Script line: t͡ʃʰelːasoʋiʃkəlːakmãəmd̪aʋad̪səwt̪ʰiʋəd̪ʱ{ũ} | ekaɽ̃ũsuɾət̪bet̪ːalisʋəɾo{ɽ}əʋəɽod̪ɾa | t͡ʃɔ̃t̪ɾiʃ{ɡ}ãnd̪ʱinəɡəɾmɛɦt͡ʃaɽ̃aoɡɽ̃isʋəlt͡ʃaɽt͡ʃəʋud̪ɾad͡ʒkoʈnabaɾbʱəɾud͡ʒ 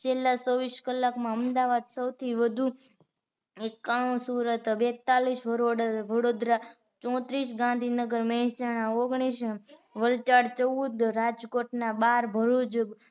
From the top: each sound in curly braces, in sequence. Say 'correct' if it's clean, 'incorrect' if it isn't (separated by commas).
incorrect, correct, correct